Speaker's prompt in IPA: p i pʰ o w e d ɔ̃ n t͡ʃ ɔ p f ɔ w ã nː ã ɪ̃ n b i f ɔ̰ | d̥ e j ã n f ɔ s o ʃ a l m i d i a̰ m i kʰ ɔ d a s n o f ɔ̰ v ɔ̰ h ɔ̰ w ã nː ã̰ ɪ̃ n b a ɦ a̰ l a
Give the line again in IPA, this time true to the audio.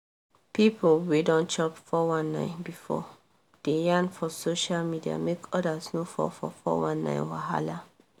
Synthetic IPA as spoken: p i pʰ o w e d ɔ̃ n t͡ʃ ɔ p f ɔ w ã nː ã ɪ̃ n b i f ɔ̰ | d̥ e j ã n f ɔ s o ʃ a l m i d i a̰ m e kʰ ɔ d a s n o f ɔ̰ f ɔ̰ f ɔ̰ w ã nː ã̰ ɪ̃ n w a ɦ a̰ l a